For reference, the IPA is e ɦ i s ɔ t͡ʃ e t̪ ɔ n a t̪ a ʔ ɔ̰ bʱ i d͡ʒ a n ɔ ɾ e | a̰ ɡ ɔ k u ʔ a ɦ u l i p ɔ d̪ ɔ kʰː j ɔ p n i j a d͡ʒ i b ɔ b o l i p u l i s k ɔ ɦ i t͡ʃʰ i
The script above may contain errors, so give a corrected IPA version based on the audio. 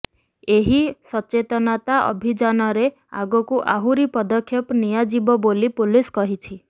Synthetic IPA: e ɦ i s ɔ t͡ʃ e t̪ ɔ n a t̪ a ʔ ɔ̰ bʱ i d͡ʒ a n ɔ ɾ e | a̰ ɡ ɔ k u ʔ a ɦ u ɾ i p ɔ d̪ ɔ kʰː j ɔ p n i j a d͡ʒ i b ɔ b o l i p u l i s k ɔ ɦ i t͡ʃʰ i